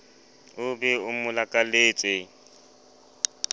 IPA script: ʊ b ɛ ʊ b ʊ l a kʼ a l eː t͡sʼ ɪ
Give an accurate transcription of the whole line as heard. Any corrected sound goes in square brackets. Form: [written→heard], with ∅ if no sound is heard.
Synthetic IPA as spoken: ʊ b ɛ ʊ [b→m] ʊ l a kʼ a l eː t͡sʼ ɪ